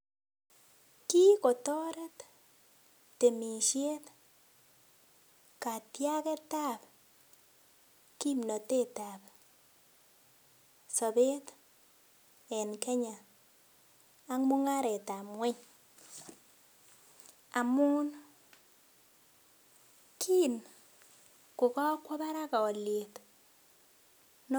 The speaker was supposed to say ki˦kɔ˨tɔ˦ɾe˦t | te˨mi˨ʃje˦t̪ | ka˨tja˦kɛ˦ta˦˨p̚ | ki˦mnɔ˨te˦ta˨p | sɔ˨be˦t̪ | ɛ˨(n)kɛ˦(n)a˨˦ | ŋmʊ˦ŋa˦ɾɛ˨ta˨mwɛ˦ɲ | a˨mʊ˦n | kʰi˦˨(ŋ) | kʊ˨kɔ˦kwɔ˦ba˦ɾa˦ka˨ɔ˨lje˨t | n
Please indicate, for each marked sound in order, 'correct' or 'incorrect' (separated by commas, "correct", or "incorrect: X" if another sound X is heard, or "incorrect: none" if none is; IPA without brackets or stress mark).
correct, incorrect: ɲ, incorrect: n